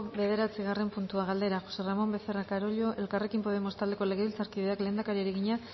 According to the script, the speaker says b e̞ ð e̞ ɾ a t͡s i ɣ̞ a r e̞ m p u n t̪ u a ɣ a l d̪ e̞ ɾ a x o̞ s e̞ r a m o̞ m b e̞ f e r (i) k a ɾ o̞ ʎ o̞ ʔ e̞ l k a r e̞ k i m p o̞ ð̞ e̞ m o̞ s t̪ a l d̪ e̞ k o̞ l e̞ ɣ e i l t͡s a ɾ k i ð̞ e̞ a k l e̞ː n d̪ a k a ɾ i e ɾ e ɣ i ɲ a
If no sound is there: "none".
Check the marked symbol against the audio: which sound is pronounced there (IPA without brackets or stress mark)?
a